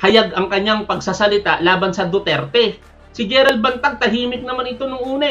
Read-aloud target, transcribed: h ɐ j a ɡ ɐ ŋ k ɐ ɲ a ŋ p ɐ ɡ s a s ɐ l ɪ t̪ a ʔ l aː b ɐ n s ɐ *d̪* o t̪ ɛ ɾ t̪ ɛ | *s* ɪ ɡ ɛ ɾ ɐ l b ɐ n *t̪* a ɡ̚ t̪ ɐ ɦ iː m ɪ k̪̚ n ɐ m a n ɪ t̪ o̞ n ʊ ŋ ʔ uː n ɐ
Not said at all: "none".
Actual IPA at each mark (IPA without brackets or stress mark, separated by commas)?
d̪, s, t̪